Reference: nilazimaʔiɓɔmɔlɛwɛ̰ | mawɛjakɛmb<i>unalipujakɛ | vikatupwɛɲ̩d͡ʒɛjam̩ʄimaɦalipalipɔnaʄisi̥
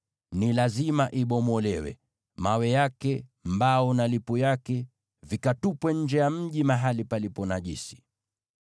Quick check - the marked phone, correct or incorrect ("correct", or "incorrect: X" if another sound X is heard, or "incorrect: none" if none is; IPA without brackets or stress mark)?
incorrect: a